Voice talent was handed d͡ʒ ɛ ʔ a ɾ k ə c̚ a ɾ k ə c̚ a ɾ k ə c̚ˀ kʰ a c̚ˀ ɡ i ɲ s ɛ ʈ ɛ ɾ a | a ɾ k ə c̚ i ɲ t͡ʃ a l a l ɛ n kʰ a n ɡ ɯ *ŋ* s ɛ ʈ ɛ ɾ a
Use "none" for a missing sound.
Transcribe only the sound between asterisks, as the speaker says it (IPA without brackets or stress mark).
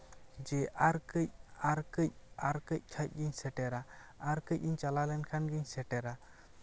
ɲ